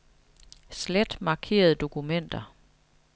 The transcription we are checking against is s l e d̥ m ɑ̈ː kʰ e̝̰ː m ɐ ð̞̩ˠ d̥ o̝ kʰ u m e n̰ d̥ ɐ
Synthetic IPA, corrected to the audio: s l e d̥ m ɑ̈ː kʰ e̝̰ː ɐ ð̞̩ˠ d̥ o̝ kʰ u m e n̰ d̥ ɐ